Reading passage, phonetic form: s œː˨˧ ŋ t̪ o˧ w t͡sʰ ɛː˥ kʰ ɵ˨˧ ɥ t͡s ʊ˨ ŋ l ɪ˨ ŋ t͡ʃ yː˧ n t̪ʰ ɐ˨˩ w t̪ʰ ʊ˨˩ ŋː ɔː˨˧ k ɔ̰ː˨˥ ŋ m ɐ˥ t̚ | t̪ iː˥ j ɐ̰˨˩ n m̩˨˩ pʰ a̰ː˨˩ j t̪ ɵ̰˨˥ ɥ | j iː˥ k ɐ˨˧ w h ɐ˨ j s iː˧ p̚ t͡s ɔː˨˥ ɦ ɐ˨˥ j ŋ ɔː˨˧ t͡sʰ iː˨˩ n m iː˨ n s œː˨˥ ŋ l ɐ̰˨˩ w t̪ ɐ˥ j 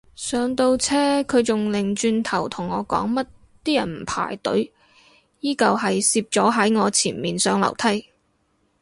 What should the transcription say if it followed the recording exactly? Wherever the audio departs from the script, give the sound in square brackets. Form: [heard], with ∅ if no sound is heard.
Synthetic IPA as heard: s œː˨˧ ŋ t̪ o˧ w t͡sʰ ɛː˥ kʰ ɵ˨˧ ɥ t͡s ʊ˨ ŋ l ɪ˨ ŋ t͡ʃ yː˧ n t̪ʰ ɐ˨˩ w t̪ʰ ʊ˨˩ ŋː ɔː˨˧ k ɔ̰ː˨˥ ŋ m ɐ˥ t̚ | t̪ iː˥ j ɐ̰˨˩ n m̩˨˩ pʰ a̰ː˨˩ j t̪ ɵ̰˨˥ ɥ | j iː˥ k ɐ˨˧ w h ɐ˨ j s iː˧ p̚ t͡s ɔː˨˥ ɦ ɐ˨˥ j ŋ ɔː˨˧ t͡sʰ iː˨˩ n m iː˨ n s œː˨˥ ŋ l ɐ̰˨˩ w [t̪ʰ] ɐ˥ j